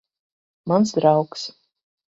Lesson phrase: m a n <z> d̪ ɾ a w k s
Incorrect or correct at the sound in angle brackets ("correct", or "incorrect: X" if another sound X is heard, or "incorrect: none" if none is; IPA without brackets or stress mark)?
incorrect: s